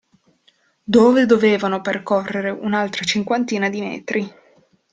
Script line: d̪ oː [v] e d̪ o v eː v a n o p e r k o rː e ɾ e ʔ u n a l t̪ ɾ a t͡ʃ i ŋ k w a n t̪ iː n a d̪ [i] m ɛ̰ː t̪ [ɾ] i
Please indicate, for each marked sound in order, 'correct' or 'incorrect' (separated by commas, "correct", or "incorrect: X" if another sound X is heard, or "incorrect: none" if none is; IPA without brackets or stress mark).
correct, correct, correct